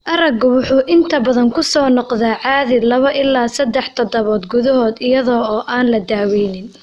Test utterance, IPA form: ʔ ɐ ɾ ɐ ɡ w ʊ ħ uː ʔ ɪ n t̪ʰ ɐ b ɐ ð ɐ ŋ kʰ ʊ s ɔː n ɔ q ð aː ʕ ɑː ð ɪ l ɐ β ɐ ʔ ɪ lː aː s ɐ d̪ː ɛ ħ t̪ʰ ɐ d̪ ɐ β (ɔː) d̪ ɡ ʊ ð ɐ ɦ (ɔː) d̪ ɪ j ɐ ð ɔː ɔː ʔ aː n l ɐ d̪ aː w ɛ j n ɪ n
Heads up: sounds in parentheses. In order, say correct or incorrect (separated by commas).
correct, correct